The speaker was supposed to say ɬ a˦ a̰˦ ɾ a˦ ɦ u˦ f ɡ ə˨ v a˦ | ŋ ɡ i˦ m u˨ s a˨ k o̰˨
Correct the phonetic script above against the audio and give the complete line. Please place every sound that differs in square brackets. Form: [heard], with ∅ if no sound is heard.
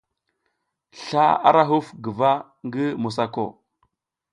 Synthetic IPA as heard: ɬ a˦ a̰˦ ɾ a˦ ɦ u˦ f ɡ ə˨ v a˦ | ŋ ɡ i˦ m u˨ s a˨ k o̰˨